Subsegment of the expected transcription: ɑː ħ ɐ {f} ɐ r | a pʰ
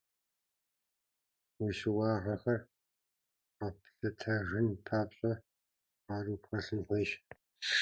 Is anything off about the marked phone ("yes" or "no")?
yes